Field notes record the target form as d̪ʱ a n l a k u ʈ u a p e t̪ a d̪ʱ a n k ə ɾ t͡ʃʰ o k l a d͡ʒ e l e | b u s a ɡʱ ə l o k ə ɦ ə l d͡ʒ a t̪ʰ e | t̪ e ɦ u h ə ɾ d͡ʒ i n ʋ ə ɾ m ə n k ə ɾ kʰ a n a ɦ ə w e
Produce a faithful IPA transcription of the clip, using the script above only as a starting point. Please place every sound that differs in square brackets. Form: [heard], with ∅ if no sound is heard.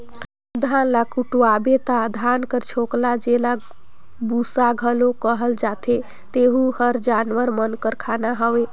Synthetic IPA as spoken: d̪ʱ a n l a k u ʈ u a [b] e t̪ a d̪ʱ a n k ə ɾ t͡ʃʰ o k l a d͡ʒ e l [a] | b u s a ɡʱ ə l o k ə ɦ ə l d͡ʒ a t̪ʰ e | t̪ e ɦ u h ə ɾ d͡ʒ [a] n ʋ ə ɾ m ə n k ə ɾ kʰ a n a ɦ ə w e